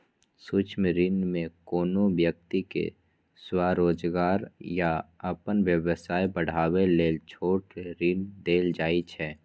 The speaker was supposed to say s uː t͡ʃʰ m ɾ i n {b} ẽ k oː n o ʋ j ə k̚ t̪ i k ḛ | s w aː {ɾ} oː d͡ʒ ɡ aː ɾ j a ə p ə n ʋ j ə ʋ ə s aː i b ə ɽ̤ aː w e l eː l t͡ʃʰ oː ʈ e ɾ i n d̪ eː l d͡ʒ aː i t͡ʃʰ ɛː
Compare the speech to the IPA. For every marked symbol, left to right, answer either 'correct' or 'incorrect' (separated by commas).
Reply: incorrect, correct